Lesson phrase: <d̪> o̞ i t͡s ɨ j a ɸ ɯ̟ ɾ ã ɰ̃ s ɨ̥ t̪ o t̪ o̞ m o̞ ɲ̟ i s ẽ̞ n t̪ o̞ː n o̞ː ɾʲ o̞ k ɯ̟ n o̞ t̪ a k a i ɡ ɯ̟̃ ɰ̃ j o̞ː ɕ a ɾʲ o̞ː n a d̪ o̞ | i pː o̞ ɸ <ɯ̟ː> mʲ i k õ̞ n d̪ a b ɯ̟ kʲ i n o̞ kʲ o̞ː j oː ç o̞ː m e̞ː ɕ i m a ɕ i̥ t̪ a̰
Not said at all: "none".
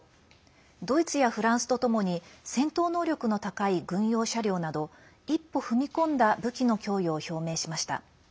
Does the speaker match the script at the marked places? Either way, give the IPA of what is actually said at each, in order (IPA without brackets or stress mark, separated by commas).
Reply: d̪, ɯ̟